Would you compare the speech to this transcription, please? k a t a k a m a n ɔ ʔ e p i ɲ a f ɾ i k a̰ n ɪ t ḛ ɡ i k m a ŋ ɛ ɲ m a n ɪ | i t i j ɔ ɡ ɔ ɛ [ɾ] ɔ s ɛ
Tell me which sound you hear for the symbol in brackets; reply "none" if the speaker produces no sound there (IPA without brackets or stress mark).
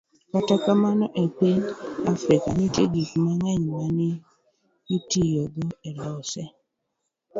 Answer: l